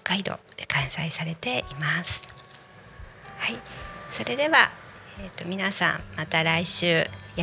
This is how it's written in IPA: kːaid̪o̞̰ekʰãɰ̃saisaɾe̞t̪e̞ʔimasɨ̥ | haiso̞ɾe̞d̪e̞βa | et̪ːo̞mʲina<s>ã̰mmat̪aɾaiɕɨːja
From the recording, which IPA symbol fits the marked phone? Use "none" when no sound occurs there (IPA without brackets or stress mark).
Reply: s